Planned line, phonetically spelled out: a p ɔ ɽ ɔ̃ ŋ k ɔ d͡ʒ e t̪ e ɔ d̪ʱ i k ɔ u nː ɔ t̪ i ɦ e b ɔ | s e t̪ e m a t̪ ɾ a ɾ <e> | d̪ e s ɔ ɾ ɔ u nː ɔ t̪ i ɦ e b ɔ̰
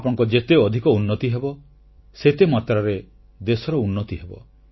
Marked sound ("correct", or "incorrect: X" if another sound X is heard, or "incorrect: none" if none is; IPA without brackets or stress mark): correct